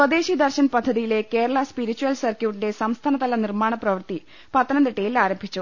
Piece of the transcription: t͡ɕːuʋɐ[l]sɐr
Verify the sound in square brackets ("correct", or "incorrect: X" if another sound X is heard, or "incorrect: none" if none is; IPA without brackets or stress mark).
correct